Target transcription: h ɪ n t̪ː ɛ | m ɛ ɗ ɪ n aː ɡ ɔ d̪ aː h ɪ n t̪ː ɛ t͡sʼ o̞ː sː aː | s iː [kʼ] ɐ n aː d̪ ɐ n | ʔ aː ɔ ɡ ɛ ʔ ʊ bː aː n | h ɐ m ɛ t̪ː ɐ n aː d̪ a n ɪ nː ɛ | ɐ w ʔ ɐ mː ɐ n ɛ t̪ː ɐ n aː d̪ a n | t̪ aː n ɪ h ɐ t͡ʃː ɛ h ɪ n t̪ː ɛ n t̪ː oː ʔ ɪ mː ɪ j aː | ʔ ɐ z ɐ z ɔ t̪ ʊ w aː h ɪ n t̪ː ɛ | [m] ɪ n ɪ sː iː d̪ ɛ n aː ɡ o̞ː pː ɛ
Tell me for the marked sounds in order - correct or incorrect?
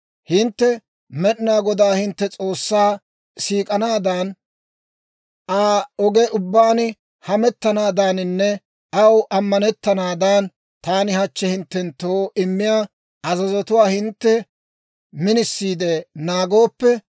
correct, correct

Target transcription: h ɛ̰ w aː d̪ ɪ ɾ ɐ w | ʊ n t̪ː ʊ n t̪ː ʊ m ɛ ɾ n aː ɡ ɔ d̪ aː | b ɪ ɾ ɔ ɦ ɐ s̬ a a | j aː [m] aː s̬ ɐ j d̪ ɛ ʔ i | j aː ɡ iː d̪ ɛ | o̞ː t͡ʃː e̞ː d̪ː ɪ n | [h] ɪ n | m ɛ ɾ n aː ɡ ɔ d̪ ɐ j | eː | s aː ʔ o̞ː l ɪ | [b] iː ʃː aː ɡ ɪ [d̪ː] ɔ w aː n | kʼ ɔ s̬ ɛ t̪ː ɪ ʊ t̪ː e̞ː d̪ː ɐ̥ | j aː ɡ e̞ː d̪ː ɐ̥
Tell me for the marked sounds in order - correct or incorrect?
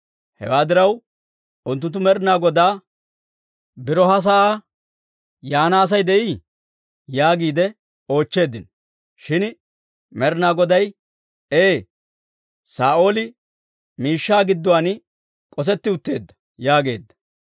incorrect, incorrect, incorrect, correct

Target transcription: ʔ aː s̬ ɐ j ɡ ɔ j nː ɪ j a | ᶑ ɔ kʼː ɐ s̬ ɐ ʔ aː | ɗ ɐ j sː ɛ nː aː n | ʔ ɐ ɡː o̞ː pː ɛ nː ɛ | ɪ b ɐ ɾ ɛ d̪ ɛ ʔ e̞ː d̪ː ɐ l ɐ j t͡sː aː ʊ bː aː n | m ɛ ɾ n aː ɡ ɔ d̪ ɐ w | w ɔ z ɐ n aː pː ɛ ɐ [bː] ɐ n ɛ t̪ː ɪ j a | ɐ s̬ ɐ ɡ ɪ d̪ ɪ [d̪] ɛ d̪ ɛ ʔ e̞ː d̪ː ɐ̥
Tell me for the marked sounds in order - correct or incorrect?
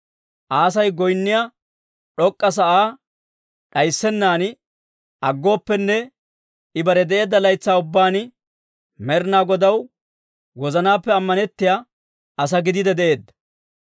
incorrect, correct

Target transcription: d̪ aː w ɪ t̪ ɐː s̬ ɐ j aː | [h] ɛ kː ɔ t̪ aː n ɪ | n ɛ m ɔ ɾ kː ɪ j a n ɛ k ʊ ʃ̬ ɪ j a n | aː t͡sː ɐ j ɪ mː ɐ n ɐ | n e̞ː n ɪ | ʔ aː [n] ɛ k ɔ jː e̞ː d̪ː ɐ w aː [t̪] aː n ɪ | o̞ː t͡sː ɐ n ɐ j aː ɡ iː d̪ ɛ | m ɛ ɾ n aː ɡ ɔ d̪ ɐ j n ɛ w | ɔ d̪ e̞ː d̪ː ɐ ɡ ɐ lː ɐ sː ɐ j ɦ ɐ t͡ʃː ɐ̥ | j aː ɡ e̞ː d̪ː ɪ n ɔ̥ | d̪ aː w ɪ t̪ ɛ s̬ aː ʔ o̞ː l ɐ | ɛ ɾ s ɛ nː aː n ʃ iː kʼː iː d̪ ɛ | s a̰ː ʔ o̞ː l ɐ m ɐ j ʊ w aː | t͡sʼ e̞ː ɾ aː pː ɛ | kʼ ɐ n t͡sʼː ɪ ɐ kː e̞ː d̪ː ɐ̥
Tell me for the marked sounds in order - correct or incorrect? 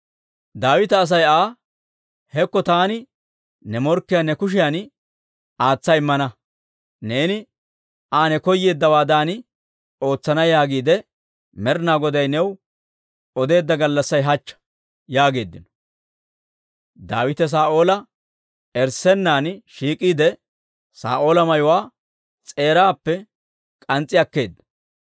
correct, correct, incorrect

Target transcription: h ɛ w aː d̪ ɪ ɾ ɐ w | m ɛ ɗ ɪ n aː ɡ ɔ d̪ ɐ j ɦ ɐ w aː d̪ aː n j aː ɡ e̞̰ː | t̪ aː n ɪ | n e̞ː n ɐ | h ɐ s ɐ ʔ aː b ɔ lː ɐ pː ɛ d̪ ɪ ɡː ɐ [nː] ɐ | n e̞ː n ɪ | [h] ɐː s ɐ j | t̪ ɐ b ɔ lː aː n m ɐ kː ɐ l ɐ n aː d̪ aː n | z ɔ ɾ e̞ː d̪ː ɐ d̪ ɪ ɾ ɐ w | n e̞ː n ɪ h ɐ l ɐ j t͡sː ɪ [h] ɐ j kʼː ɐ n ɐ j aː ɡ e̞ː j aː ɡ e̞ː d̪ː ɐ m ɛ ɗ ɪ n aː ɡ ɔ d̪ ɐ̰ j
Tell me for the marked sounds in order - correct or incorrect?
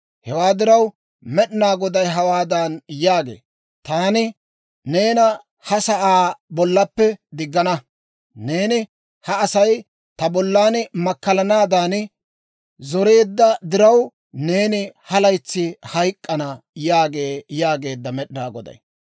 incorrect, correct, correct

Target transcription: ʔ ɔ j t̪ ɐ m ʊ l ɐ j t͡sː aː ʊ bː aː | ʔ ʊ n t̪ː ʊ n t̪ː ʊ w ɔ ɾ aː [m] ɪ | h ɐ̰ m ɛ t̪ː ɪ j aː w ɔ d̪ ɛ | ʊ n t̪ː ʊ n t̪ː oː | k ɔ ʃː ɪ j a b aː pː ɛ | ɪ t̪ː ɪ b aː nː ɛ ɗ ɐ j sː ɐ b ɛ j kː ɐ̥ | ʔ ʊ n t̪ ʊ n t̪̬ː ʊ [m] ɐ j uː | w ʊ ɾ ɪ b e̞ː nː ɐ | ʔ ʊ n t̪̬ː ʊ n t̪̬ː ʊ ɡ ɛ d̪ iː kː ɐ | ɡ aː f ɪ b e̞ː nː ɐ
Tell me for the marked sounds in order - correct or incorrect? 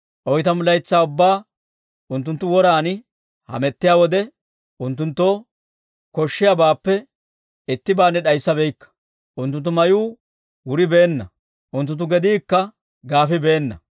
incorrect, correct

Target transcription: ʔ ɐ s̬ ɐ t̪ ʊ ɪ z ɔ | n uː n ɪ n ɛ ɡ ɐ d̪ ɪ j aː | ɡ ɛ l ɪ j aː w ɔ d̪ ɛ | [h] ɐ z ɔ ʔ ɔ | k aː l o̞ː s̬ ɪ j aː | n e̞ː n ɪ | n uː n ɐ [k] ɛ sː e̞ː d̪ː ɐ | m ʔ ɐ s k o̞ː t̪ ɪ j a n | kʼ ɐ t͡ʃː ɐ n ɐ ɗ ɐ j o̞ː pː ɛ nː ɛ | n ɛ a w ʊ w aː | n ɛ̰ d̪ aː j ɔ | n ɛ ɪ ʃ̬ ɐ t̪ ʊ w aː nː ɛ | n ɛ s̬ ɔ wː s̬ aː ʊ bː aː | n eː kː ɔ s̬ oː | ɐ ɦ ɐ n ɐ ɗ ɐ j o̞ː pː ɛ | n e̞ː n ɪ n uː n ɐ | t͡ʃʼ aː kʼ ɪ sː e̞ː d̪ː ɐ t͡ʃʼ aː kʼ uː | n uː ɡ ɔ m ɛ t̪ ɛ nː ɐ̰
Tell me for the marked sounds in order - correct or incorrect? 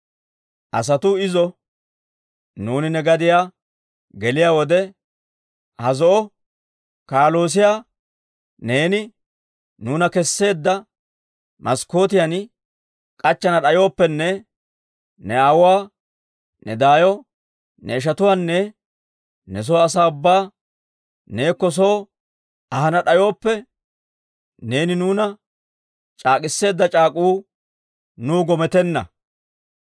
correct, correct

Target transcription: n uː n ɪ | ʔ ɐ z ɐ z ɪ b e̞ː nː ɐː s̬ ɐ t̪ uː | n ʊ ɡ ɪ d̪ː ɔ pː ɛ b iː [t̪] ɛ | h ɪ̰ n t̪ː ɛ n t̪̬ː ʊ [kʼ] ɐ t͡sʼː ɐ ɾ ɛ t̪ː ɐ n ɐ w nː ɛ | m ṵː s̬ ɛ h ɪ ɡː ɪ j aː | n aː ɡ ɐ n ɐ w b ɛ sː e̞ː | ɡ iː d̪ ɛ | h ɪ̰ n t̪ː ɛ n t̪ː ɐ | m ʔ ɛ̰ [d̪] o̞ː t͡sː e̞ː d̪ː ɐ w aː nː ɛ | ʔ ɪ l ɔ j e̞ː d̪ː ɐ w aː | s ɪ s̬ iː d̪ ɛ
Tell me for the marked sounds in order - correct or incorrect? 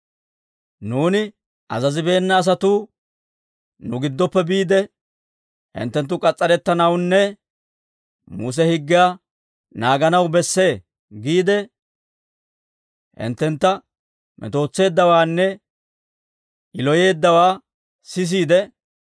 incorrect, correct, incorrect

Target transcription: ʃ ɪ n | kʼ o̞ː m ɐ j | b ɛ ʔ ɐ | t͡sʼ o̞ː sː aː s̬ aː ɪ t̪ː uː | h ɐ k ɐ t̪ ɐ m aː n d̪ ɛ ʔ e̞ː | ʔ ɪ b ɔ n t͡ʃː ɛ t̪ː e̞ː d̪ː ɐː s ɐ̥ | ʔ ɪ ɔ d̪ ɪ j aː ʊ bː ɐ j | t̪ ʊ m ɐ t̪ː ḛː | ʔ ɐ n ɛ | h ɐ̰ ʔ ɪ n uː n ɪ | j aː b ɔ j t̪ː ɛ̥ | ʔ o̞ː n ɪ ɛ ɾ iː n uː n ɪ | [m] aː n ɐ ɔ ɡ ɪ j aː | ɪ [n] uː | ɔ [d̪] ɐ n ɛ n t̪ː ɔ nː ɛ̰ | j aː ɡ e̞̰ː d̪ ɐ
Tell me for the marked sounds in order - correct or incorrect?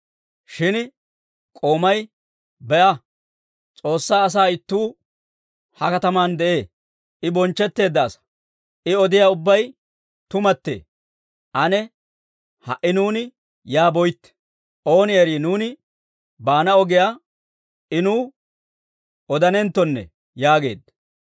incorrect, correct, correct

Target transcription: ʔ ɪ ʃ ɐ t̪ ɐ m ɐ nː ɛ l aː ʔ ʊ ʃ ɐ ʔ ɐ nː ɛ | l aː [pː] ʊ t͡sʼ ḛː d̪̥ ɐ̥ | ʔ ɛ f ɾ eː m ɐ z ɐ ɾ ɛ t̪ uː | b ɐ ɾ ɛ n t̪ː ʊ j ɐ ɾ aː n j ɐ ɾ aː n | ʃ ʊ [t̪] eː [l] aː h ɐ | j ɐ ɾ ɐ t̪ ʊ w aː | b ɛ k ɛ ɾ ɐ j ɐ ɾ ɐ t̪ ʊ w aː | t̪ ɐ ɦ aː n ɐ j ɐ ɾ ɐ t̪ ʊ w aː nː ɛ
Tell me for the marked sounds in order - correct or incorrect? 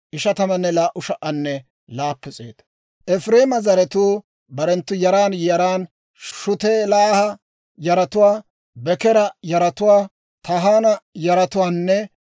correct, correct, correct

